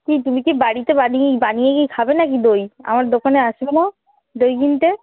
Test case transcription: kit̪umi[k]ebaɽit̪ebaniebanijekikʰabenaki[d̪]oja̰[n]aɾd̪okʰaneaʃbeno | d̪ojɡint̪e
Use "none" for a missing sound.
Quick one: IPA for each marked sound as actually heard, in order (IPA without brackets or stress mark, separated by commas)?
k, d̪, m